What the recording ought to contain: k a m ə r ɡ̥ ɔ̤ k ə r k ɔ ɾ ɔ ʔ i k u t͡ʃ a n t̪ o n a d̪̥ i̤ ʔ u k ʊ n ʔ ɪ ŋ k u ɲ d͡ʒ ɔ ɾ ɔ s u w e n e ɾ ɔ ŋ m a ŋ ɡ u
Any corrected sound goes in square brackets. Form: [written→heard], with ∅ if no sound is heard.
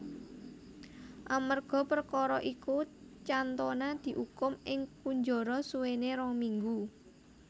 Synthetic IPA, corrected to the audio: [k→ʔ] a m ə r ɡ̥ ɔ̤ [k→p] ə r k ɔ ɾ ɔ ʔ i k u t͡ʃ a n t̪ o n a d̪̥ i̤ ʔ u k ʊ [n→m] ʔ ɪ ŋ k u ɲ d͡ʒ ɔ ɾ ɔ s u w e n e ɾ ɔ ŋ m [a→i] ŋ ɡ u

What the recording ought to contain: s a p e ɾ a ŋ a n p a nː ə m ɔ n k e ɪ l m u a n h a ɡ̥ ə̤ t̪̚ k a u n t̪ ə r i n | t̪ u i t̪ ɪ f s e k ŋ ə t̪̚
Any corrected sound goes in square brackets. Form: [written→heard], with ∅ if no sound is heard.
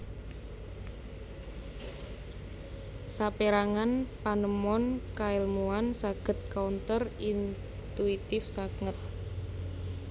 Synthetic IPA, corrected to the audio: s a p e ɾ a ŋ a n p a [nː→n] ə m ɔ n k [e→a] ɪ l m u a n [h→s] a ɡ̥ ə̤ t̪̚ k a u n t̪ ə r i n | t̪ u i t̪ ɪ f s [e→a] k ŋ ə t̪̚

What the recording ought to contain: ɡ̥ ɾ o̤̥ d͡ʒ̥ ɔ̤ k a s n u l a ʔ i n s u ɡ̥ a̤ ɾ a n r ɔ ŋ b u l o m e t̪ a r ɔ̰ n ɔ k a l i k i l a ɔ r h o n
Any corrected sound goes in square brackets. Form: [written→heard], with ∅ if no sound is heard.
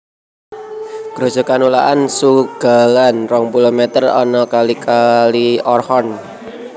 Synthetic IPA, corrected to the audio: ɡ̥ ɾ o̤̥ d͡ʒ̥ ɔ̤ k a [s→∅] n u l a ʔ [i→a] n s u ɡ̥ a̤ [ɾ→l] a n r ɔ ŋ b u l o m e t̪ [a→ə] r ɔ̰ n ɔ k a l i k [i→a] l [a→i] ɔ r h [o→ɔ] n

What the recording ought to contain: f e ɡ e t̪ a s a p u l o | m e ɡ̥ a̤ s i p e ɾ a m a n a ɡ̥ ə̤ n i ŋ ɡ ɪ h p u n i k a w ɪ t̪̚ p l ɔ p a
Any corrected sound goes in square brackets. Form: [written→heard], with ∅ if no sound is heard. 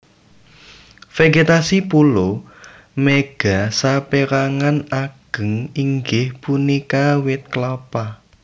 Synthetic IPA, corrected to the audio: f e ɡ e t̪ a s [a→i] p u l o | m e ɡ̥ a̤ s [i→a] p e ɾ a [m→ŋ] a n a ɡ̥ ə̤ [n→ŋ] i ŋ ɡ ɪ h p u n i k a w ɪ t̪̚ [p→k] l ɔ p a

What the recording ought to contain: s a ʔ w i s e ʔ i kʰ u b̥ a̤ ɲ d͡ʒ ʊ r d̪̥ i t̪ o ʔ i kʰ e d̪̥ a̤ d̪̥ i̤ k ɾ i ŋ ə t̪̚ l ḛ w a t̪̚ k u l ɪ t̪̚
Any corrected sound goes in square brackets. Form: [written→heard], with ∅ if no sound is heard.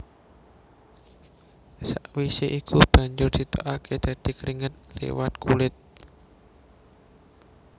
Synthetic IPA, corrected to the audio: s a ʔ w i s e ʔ i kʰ u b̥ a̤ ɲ d͡ʒ ʊ r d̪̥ i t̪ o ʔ [i→a] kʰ e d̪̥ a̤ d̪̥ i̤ k ɾ i ŋ ə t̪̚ l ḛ w a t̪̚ k u l ɪ t̪̚

